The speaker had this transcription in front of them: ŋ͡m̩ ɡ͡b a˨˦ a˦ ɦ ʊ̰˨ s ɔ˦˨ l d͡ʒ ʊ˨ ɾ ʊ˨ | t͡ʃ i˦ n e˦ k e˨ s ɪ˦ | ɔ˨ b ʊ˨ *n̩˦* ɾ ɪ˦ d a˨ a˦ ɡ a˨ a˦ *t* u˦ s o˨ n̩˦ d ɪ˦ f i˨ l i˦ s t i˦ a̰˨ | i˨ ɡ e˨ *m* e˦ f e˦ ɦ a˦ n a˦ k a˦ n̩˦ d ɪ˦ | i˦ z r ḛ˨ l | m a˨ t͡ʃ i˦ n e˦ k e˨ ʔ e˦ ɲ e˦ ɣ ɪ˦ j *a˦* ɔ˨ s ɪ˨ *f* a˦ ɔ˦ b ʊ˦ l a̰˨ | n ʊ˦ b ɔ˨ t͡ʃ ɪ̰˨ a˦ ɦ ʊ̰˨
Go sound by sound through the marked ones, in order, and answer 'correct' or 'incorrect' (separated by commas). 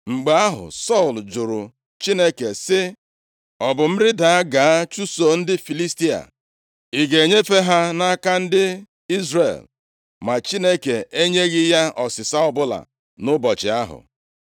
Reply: incorrect, incorrect, incorrect, correct, incorrect